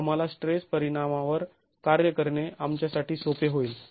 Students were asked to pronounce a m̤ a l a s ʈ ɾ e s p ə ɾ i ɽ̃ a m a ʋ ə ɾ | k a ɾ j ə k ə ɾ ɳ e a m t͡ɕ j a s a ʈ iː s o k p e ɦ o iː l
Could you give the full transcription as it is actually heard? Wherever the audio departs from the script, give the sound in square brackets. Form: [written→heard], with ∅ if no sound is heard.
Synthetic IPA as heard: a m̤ a l a s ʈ ɾ e s p ə ɾ i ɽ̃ a m a ʋ ə ɾ | k a ɾ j ə k ə ɾ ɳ e a m t͡ɕ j a s a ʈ iː s o [k→∅] p e ɦ o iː l